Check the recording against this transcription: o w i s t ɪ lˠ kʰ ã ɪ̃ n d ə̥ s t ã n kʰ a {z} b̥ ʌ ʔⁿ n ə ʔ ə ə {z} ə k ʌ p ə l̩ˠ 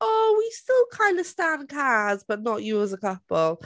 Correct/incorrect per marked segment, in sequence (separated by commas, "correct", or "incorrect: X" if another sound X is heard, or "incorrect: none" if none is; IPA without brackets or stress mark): correct, correct